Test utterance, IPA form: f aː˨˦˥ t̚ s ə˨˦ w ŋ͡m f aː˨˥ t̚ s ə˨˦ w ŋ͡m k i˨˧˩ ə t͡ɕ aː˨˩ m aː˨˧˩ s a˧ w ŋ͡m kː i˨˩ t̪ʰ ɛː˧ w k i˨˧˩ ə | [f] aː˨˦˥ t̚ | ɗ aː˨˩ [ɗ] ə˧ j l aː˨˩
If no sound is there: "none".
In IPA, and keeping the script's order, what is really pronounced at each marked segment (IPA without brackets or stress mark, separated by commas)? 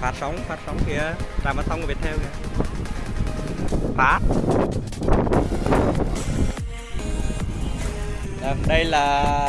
f, ɗ